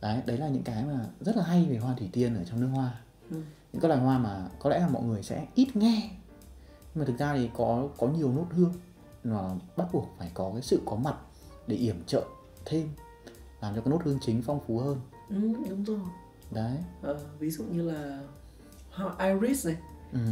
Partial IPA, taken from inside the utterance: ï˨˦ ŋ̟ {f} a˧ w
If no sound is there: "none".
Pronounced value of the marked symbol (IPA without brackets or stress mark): f